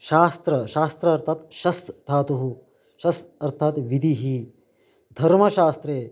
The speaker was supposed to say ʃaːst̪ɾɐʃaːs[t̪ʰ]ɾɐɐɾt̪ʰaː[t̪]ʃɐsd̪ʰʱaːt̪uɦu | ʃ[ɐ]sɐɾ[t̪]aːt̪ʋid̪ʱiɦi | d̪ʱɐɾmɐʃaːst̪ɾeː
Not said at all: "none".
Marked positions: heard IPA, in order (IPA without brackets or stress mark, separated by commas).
t̪, t̪, ɐ, t̪ʰ